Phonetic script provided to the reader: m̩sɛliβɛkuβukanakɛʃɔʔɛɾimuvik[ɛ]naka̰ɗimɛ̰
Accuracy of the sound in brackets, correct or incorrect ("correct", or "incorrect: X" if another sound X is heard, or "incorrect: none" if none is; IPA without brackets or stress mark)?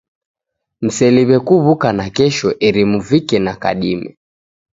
correct